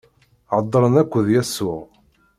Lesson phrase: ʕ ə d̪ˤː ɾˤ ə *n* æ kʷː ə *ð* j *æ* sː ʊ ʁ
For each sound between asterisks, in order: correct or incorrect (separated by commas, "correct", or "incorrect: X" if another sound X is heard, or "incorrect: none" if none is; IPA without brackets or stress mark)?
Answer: correct, correct, correct